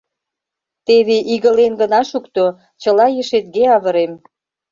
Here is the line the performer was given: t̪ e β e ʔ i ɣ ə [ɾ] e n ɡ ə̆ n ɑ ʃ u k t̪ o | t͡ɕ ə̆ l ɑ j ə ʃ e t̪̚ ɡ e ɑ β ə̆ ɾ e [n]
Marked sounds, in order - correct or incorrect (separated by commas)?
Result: incorrect, incorrect